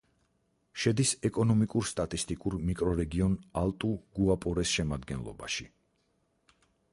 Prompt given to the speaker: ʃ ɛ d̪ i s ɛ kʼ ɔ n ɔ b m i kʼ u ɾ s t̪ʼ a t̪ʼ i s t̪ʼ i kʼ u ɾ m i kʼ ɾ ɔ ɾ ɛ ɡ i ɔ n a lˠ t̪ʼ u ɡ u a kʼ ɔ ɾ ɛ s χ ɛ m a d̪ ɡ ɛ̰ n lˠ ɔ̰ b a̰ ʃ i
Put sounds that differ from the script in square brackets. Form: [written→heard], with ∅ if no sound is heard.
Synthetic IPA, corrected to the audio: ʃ ɛ d̪ i s ɛ kʼ ɔ n ɔ [b→∅] m i kʼ u ɾ s t̪ʼ a t̪ʼ i s t̪ʼ i kʼ u ɾ m i kʼ ɾ ɔ ɾ ɛ ɡ i ɔ n a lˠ t̪ʼ u ɡ u a [kʼ→pʼ] ɔ ɾ ɛ s [χ→ʃ] ɛ m a d̪ ɡ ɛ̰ n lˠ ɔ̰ b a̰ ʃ i

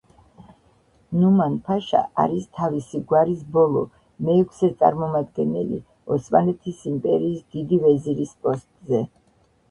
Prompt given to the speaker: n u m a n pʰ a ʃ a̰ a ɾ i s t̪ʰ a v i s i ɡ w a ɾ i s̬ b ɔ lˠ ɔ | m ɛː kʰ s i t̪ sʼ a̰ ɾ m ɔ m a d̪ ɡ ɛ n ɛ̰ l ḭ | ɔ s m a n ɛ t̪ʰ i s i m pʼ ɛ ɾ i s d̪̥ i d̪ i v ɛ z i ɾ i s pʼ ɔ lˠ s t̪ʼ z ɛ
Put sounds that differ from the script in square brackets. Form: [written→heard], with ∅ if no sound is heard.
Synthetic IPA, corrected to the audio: n u m a n pʰ a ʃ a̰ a ɾ i s t̪ʰ a v i s i ɡ w a ɾ i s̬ b ɔ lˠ ɔ | m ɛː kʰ s [i→ɛ] t̪ sʼ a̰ ɾ m ɔ m a d̪ ɡ ɛ n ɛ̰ l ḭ | ɔ s m a n ɛ t̪ʰ i s i m pʼ ɛ ɾ [i→iː] s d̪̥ i d̪ i v ɛ z i ɾ i s pʼ ɔ [lˠ→∅] s t̪ʼ z ɛ

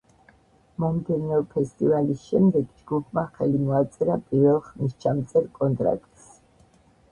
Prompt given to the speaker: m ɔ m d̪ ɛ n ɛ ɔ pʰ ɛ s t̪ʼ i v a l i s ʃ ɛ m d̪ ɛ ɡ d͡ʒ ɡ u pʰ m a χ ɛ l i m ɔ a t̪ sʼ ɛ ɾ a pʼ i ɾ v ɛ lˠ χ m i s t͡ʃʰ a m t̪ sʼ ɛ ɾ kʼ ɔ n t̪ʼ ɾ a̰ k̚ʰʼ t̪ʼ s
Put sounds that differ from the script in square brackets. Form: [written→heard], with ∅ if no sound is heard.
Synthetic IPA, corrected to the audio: m ɔ m d̪ ɛ n ɛ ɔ pʰ ɛ s t̪ʼ i v a l i s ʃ ɛ m d̪ ɛ ɡ d͡ʒ ɡ u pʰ m a χ ɛ l i m ɔ a t̪ sʼ ɛ ɾ a pʼ i ɾ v ɛ lˠ χ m i s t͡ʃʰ a m t̪ sʼ ɛ ɾ kʼ ɔ n t̪ʼ ɾ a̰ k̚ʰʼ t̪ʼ s

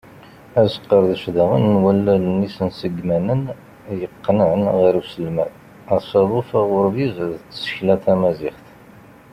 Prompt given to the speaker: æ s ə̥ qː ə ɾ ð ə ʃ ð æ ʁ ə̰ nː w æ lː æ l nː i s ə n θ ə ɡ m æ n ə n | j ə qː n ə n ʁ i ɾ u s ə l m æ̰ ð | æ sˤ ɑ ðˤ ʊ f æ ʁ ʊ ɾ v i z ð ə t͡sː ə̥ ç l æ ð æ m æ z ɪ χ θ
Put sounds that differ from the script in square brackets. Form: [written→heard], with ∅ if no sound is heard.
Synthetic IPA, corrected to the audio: æ s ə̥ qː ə ɾ ð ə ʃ ð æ ʁ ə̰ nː w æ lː æ l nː i s ə n [θ→s] ə ɡ m æ n ə n | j ə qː n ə n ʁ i ɾ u s ə l m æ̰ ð | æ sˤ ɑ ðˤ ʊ f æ ʁ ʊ ɾ v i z ð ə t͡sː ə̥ ç l æ [ð→θ] æ m æ z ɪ χ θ

